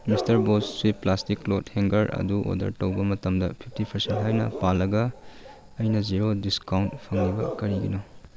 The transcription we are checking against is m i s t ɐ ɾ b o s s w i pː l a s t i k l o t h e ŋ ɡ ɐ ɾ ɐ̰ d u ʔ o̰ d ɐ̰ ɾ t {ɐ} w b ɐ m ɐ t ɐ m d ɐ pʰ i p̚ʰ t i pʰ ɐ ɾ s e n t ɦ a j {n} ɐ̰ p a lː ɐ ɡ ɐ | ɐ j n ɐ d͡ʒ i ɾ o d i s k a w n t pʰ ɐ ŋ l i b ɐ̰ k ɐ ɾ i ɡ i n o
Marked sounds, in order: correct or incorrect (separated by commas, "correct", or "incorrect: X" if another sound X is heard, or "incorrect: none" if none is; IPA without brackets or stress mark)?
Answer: correct, correct